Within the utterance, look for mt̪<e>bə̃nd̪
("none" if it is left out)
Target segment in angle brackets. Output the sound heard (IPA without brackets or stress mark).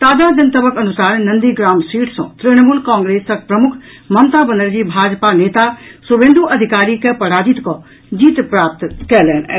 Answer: a